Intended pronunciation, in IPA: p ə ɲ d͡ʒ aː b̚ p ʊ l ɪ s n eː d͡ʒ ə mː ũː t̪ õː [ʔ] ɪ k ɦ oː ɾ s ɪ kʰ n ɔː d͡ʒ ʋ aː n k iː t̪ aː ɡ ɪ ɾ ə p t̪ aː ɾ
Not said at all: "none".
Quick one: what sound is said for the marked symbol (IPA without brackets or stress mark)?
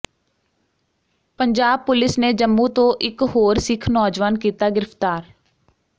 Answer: ʔ